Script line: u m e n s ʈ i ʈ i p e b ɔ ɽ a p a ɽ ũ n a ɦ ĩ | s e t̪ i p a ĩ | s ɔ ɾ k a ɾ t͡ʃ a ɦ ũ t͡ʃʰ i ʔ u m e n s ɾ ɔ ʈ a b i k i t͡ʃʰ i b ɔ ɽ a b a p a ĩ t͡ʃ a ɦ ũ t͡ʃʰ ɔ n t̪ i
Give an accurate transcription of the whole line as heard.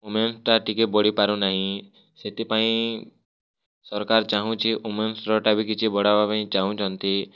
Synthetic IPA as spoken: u m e n s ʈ a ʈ i k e b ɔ ɽ i p a ɾ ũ n a ɦ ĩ | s e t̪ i p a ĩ | s ɔ ɾ k a ɾ t͡ʃ a ɦ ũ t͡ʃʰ i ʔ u m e n s ɾ ɔ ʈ a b i k i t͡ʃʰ i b ɔ ɽ a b a p a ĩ t͡ʃ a ɦ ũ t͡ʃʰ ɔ n t̪ i